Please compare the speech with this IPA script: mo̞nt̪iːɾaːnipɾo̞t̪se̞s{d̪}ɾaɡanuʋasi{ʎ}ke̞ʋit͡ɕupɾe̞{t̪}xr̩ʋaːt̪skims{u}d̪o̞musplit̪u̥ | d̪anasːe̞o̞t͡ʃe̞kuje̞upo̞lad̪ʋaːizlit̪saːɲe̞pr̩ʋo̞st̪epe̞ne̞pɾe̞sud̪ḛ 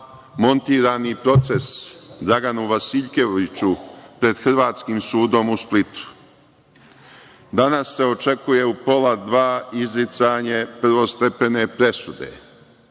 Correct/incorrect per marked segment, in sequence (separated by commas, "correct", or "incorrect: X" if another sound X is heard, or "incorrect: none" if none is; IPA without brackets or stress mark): correct, correct, incorrect: d̪, incorrect: uː